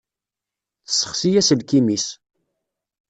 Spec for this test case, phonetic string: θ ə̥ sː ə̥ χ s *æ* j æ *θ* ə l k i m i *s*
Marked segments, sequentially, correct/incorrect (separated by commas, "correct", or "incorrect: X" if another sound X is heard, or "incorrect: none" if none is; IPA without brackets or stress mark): incorrect: i, incorrect: s, correct